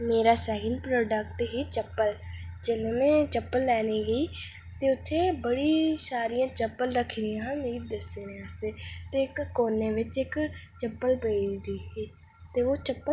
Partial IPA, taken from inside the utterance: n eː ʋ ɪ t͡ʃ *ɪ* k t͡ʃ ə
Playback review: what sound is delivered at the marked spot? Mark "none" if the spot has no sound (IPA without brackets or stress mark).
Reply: ɪ